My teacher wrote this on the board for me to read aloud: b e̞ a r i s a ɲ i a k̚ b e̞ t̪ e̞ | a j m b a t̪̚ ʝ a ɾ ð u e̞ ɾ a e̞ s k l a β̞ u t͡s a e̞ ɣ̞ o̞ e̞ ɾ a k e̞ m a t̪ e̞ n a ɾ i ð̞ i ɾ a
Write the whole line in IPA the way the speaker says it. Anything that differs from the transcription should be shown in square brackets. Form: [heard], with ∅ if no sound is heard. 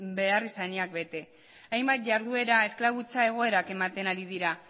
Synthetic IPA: b e̞ a r i s a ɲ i a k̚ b e̞ t̪ e̞ | a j m b a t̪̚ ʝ a ɾ ð u e̞ ɾ a e̞ s k l a β̞ u t͡s a e̞ ɣ̞ o̞ e̞ ɾ a k e̞ m a t̪ e̞ n a ɾ i ð̞ i ɾ a